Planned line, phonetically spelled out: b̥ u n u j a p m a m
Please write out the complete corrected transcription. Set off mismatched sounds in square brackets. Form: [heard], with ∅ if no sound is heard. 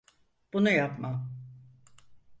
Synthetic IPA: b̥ u n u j a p m a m